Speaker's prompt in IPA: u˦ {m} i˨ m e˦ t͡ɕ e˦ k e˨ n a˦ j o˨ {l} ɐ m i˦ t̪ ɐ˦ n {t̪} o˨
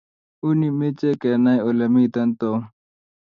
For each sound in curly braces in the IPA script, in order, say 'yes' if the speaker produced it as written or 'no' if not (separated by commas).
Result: no, yes, yes